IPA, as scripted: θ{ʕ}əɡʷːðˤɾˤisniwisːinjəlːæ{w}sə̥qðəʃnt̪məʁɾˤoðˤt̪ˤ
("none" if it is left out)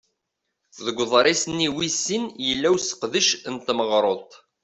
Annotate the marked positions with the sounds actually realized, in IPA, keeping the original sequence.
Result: ð, w

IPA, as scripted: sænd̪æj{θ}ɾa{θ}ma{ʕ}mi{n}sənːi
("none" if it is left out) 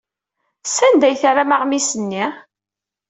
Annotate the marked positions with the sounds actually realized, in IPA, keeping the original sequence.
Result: θ, none, ʁ, none

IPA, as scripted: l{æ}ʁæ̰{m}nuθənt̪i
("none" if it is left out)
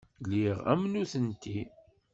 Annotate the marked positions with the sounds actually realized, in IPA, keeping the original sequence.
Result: i, m

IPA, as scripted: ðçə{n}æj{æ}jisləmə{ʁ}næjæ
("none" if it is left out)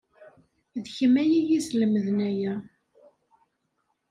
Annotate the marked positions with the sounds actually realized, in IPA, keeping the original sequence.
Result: m, i, ð

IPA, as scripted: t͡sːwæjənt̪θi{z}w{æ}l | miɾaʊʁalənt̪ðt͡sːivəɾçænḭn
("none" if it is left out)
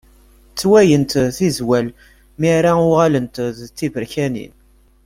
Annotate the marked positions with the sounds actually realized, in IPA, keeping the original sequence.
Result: z, æ

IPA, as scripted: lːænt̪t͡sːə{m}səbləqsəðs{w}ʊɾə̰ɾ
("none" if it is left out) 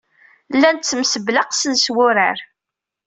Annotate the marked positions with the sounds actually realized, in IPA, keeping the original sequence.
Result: m, w

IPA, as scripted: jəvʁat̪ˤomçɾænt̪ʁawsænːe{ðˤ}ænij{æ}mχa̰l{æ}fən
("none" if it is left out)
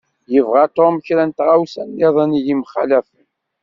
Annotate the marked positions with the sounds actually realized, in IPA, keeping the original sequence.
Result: ðˤ, i, æ

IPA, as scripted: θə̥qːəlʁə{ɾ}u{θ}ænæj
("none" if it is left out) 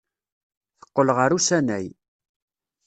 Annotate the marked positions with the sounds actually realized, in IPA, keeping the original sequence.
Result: ɾ, s

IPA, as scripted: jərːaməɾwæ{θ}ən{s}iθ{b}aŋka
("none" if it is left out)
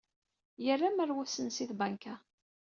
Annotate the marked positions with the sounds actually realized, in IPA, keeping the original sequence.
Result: s, s, b

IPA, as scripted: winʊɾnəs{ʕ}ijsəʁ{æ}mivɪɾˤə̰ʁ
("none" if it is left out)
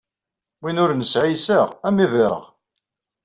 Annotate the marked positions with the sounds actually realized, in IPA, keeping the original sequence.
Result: ʕ, æ

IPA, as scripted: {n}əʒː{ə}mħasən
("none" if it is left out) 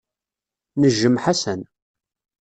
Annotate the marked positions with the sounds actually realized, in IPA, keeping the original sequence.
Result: n, ə

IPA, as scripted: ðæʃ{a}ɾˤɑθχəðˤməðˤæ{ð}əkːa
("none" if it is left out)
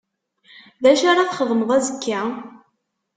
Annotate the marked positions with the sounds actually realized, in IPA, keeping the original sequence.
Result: a, z

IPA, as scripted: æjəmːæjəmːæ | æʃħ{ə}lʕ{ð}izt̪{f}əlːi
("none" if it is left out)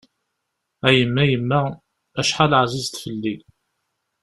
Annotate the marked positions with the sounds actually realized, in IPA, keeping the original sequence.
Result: a, z, f

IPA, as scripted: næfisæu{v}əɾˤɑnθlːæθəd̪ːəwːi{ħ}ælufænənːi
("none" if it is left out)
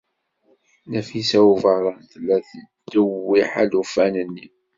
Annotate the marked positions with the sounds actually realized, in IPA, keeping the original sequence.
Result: v, ħ

